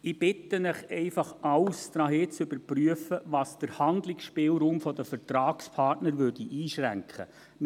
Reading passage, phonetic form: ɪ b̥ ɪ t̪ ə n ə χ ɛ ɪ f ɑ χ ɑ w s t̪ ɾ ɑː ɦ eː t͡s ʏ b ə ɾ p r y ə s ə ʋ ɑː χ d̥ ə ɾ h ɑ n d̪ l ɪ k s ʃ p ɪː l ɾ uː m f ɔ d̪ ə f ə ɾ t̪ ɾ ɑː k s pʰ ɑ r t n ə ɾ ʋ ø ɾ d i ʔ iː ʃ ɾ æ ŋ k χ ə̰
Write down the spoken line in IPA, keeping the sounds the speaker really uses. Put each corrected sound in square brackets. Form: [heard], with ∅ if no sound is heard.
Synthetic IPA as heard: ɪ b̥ ɪ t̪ ə n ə χ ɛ ɪ f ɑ χ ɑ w s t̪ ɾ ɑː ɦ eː t͡s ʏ b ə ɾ p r y ə [f] ə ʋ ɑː [s] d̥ ə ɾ h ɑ n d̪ l ɪ k s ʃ p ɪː l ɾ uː m f ɔ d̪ ə f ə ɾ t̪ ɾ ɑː k s pʰ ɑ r t n ə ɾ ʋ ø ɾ d i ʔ iː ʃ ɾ æ ŋ k χ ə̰